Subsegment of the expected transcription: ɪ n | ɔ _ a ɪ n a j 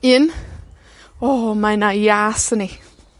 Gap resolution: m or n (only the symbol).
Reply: m